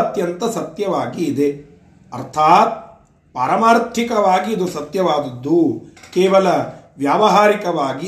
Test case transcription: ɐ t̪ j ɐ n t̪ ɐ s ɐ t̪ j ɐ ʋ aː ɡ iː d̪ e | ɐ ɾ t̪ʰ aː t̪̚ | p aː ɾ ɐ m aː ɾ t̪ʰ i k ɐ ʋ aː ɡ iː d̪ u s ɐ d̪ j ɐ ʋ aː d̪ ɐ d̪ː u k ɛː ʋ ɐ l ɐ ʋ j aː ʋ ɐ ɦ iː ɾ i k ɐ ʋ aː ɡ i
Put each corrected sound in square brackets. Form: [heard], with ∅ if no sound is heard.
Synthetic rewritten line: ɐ t̪ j ɐ n t̪ ɐ s ɐ t̪ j ɐ ʋ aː ɡ iː d̪ e | ɐ ɾ t̪ʰ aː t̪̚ | p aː ɾ ɐ m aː ɾ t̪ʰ i k ɐ ʋ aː ɡ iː d̪ u s ɐ [t̪] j ɐ ʋ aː d̪ ɐ d̪ː u k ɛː ʋ ɐ l ɐ ʋ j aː ʋ ɐ ɦ [aː] ɾ i k ɐ ʋ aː ɡ i